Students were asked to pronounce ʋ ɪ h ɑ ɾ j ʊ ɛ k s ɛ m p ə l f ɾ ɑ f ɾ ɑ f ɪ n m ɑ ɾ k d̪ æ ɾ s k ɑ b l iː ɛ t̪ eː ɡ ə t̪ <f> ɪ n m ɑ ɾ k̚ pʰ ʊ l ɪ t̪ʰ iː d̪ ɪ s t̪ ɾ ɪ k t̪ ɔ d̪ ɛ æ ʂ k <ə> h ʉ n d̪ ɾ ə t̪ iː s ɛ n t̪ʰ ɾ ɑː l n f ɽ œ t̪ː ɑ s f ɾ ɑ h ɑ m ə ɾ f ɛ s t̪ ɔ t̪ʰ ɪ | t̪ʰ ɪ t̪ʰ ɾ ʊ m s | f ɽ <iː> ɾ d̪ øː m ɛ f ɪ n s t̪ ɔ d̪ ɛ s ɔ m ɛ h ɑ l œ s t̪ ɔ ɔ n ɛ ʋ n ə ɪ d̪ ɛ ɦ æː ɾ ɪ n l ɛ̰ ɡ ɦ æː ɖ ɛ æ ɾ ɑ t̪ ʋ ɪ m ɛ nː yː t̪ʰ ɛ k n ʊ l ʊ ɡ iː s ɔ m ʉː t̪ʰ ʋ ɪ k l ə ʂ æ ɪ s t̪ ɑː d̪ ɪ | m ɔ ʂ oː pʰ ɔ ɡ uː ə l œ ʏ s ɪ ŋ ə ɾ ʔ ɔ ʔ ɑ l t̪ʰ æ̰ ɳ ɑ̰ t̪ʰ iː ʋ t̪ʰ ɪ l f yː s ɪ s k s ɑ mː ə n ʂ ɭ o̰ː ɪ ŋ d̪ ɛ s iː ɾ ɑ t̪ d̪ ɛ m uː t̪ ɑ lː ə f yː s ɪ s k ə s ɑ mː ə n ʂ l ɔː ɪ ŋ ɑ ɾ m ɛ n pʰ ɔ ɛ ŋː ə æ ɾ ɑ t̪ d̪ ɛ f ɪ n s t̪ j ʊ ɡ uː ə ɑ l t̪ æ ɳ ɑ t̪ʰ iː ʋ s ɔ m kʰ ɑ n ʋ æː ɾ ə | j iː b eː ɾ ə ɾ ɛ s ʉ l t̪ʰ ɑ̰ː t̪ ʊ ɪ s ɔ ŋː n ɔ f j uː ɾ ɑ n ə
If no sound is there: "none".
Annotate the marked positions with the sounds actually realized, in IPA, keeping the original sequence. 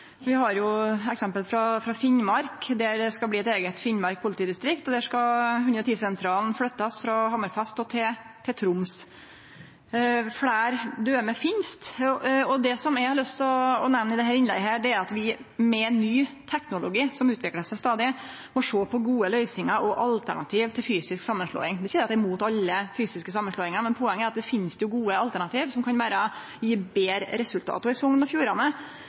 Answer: f, ɑ, æː

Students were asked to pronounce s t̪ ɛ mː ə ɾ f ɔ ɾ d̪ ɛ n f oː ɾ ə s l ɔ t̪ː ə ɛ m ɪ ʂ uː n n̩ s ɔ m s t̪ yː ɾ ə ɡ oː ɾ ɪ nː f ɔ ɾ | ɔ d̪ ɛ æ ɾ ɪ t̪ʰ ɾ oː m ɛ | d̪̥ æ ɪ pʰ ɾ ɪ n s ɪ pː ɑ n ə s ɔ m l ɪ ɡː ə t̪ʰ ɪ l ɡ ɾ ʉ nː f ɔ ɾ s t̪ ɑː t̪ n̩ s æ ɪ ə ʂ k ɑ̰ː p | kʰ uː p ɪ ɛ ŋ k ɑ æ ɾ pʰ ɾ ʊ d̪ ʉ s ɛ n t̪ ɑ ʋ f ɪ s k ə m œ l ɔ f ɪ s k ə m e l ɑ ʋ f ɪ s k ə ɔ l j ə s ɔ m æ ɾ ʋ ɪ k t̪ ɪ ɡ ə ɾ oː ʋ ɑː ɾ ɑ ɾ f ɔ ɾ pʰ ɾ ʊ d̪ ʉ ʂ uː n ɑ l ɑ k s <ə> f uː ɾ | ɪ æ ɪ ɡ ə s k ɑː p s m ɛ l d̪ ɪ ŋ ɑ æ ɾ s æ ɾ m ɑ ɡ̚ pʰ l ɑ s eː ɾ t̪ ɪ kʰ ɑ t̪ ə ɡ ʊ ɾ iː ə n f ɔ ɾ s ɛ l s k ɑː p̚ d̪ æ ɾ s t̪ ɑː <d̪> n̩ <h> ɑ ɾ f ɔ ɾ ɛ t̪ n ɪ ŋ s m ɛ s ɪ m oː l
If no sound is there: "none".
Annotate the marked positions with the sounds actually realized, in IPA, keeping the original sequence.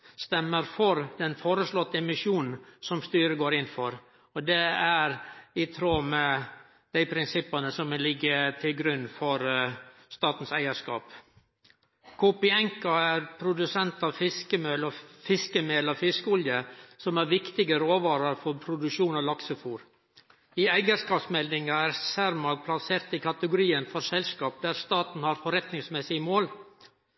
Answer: ə, t̪, h

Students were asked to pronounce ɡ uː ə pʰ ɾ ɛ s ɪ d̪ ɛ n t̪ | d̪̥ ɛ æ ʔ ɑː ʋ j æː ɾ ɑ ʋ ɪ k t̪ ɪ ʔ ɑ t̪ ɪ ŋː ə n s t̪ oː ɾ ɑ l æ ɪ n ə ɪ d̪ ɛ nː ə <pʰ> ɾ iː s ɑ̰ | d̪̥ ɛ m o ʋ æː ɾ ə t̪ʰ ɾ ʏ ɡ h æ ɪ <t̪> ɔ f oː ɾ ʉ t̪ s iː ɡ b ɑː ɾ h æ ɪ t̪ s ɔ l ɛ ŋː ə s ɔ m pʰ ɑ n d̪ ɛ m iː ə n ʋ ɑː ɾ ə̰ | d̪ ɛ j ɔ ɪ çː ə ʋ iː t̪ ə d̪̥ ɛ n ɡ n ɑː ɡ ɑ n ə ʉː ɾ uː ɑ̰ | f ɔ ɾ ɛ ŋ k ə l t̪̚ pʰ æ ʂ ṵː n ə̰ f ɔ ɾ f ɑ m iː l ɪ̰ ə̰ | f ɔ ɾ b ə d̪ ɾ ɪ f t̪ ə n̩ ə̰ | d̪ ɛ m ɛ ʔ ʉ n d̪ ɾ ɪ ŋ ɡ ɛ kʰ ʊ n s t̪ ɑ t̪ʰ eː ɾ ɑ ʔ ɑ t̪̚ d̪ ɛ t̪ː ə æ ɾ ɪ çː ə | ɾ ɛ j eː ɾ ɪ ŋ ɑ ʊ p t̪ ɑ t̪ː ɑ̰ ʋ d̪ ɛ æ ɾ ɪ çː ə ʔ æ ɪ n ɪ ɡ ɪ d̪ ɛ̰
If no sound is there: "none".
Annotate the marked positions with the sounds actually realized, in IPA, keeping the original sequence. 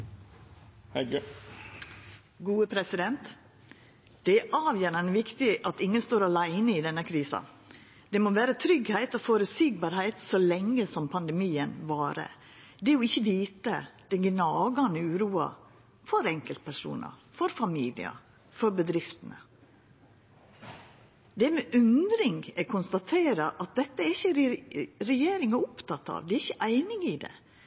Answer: kʰ, t̪

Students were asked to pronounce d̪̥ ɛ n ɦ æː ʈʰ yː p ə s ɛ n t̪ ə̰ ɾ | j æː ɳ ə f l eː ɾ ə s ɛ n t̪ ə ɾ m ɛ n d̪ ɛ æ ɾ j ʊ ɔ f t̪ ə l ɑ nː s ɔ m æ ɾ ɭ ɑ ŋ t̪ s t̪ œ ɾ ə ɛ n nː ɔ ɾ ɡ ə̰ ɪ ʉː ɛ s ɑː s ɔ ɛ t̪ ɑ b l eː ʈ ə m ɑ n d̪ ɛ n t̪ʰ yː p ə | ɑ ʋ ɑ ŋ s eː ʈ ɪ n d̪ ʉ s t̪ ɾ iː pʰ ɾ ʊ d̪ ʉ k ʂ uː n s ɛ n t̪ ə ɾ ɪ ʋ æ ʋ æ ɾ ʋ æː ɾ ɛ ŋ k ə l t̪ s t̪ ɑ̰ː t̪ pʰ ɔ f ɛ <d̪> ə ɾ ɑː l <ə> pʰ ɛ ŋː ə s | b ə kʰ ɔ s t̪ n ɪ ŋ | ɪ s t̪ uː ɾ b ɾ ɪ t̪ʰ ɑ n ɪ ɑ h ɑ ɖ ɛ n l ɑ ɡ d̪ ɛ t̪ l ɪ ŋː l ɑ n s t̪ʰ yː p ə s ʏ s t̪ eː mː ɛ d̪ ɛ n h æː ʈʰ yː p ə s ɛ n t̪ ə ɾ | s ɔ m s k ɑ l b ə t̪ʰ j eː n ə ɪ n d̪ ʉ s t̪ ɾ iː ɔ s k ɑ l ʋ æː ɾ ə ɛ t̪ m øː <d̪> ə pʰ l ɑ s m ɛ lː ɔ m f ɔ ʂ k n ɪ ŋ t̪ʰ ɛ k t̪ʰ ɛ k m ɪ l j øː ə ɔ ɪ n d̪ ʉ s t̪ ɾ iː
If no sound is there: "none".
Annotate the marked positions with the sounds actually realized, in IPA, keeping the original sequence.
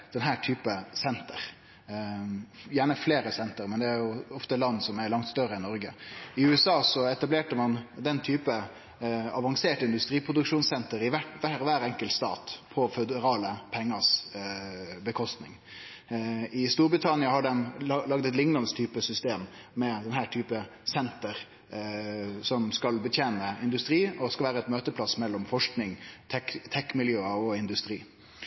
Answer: d̪, ə, t̪

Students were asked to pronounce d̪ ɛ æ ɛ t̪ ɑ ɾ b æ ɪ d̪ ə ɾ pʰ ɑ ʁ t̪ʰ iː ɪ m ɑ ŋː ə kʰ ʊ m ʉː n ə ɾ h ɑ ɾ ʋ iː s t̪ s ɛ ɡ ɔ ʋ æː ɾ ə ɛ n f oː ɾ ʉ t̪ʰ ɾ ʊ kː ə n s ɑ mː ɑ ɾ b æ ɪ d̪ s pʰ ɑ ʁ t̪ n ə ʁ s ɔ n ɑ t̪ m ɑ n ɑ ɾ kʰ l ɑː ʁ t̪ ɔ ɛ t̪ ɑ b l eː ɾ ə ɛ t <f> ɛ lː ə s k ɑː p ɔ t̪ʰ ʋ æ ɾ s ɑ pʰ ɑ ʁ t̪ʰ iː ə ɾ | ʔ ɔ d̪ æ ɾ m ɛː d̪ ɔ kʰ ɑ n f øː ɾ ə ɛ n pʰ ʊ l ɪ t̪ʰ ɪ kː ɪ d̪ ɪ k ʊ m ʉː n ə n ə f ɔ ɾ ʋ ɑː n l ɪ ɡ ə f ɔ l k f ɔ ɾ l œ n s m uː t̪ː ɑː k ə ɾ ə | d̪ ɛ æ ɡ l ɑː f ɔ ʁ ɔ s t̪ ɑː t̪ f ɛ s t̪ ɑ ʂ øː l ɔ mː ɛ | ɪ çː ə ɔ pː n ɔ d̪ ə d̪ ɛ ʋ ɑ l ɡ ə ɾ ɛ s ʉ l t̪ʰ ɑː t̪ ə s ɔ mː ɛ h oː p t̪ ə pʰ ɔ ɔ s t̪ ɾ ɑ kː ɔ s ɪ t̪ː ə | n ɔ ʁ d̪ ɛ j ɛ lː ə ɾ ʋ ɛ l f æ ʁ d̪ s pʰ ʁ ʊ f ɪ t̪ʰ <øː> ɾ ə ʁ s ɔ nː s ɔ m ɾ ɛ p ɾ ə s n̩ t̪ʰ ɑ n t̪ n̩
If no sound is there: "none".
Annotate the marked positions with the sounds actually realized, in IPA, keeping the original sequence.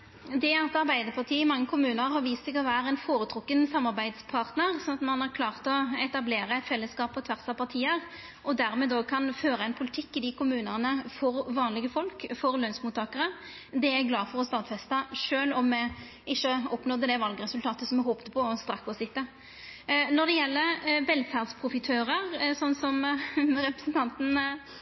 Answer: f, øː

